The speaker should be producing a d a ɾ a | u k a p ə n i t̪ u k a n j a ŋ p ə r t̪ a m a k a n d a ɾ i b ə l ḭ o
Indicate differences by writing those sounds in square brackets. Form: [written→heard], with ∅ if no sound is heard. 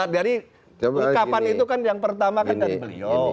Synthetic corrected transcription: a d a ɾ [a→i] | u k a p [ə→a] n i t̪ u k a n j a ŋ p ə r t̪ a m a k a n d a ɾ i b ə l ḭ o